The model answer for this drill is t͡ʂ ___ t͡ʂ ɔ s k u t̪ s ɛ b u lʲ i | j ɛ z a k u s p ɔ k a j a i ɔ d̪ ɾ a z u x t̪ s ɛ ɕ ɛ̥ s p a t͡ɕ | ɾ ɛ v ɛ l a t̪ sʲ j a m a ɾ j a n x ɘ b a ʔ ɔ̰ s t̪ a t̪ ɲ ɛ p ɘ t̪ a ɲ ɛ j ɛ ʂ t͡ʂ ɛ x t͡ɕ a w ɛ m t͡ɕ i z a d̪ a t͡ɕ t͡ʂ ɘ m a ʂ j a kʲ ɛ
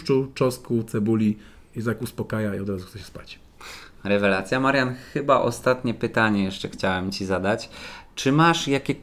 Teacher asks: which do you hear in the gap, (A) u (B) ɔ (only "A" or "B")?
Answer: A